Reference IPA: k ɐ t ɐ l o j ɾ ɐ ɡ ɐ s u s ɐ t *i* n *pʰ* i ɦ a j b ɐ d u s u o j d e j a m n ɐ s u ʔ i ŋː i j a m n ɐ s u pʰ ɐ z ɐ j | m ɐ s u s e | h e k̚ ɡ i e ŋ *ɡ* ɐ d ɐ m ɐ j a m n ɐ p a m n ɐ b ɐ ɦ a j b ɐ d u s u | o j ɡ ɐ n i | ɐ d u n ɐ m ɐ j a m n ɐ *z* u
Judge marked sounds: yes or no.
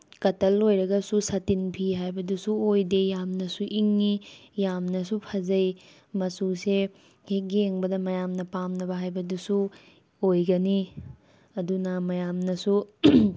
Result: yes, yes, no, no

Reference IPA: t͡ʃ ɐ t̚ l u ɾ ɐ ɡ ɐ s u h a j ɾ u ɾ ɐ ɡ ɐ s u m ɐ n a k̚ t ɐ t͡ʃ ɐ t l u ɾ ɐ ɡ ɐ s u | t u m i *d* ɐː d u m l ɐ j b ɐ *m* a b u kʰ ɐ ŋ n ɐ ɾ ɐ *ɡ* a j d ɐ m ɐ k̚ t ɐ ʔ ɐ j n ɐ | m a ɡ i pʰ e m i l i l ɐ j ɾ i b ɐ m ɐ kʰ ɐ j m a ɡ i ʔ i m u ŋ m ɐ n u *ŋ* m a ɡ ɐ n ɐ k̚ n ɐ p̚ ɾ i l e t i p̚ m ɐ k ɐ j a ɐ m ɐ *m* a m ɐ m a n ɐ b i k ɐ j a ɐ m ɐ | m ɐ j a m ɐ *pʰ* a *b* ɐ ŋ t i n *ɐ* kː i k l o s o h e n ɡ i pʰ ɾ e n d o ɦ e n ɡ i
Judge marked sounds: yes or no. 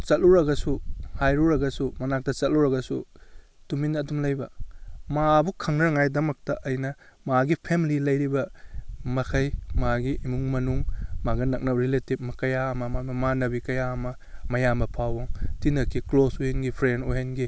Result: no, yes, no, yes, yes, yes, no, yes

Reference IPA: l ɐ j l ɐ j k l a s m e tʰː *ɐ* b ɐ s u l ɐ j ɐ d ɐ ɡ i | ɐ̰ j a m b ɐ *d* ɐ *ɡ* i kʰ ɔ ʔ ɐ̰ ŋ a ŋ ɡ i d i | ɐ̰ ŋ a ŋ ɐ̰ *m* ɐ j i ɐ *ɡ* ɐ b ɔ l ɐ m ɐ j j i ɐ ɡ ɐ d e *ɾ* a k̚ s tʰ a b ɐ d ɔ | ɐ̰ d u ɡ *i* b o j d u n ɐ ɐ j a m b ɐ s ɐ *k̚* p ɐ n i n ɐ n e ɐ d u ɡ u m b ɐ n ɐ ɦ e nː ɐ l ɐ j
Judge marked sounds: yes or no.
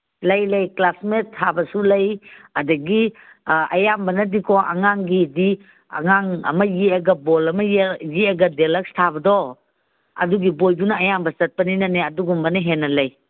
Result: no, no, no, yes, yes, no, yes, no

